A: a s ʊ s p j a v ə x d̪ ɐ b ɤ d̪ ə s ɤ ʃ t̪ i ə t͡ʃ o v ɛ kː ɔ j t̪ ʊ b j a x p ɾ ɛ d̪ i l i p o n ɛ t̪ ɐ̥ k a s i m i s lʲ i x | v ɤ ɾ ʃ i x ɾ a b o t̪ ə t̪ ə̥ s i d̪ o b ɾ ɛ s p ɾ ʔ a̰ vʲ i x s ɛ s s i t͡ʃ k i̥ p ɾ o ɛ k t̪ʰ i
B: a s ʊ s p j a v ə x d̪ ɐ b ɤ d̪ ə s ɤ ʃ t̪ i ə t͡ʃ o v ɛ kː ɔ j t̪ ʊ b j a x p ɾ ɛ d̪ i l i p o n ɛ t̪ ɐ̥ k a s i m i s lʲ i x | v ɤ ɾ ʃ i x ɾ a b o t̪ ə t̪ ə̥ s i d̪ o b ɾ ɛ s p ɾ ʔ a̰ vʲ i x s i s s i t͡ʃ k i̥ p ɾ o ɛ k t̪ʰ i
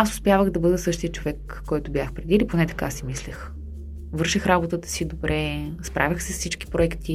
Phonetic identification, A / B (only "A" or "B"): A